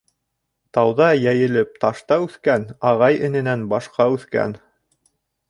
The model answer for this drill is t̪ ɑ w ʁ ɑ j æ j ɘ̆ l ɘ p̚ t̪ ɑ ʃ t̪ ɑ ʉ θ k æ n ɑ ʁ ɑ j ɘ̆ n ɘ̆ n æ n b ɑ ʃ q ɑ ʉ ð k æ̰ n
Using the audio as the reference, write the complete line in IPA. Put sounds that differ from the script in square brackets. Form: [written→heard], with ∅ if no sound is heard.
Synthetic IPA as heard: t̪ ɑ w [ʁ→ð] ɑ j æ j ɘ̆ l ɘ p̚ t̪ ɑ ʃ t̪ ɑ ʉ θ k æ n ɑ ʁ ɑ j ɘ̆ n ɘ̆ n æ n b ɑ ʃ q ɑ ʉ [ð→θ] k æ̰ n

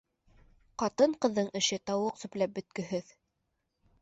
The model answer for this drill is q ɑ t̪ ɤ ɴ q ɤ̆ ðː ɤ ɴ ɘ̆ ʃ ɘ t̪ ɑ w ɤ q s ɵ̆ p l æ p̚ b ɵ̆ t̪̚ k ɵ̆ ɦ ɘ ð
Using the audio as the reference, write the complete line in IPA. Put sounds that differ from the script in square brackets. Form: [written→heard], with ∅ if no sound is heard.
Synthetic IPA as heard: q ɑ t̪ ɤ ɴ q ɤ̆ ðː ɤ ɴ ɘ̆ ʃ ɘ t̪ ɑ w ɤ q s ɵ̆ p l æ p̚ b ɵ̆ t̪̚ k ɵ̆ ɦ ɘ ð

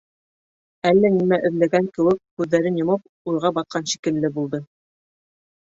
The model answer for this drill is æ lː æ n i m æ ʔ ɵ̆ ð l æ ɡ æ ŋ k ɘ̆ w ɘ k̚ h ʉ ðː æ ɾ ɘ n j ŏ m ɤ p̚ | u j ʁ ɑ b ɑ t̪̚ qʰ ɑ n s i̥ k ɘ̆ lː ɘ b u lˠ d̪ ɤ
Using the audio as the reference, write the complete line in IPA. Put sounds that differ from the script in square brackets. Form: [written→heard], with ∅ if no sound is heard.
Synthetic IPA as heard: æ lː æ n i m æ ʔ ɵ̆ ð l æ ɡ æ ŋ k ɘ̆ w ɘ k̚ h ʉ ðː æ ɾ ɘ n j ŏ m ɤ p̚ | u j ʁ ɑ b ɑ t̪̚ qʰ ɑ n [s→ʃ] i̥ k ɘ̆ lː ɘ b u lˠ d̪ ɤ

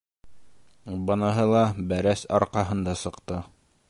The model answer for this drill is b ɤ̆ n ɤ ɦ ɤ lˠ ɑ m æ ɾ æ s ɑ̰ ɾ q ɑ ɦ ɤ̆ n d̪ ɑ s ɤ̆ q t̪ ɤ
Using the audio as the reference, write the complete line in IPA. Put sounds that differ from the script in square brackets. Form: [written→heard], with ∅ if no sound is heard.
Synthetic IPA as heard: b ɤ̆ n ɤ ɦ ɤ lˠ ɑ [m→b] æ ɾ æ s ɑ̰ ɾ q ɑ ɦ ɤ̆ n d̪ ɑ s ɤ̆ q t̪ ɤ

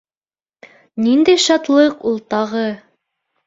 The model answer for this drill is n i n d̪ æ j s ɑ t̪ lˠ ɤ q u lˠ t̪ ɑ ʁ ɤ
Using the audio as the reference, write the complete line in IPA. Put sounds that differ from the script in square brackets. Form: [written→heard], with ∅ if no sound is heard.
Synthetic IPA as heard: n i n d̪ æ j [s→ʃ] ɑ t̪ lˠ ɤ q u lˠ t̪ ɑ ʁ ɤ

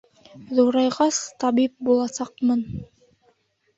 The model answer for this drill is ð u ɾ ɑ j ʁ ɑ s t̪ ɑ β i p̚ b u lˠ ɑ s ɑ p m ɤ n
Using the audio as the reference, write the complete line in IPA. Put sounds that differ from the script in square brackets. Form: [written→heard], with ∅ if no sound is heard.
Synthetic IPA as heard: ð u ɾ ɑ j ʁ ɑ s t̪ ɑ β i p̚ b u lˠ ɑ s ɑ [p→q] m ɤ n

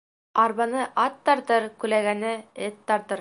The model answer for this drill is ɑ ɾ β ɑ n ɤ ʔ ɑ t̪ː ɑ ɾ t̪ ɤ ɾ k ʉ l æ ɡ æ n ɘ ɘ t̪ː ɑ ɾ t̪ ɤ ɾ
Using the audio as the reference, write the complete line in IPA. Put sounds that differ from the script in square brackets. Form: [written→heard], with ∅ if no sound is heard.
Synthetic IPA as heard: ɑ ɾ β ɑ n ɤ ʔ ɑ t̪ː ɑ ɾ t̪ ɤ ɾ k ʉ l æ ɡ æ n ɘ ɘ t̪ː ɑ ɾ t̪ ɤ ɾ

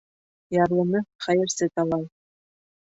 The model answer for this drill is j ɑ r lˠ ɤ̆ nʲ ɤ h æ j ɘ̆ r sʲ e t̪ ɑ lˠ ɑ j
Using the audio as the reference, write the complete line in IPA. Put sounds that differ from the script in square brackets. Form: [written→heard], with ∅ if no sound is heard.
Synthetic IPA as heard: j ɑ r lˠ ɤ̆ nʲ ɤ [h→χ] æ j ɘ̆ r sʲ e t̪ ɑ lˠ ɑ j

